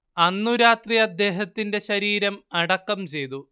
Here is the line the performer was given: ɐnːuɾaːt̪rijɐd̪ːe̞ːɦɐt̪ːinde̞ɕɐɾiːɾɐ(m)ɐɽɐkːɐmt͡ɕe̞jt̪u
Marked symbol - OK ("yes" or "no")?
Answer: yes